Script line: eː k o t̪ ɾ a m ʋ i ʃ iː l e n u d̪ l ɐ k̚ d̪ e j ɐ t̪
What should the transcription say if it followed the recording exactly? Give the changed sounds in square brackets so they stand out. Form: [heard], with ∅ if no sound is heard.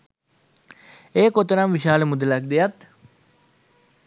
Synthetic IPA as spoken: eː k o t̪ ɾ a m ʋ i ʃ [aː] l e [m] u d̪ l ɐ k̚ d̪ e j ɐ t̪